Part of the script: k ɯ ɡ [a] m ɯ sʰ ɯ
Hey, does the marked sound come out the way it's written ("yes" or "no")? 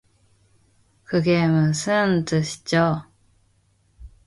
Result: no